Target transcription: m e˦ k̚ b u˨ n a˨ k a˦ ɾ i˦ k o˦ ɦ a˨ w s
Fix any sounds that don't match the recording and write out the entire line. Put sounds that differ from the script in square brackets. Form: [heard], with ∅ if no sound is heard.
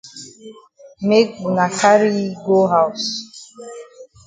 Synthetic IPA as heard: m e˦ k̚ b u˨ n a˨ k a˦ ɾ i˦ [ɡ] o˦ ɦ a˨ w s